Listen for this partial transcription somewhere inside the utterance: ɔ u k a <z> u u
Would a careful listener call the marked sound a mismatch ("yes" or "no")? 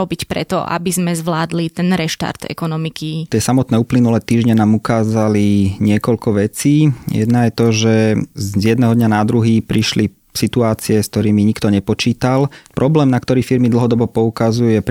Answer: no